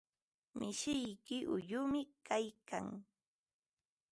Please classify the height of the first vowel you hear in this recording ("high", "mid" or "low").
high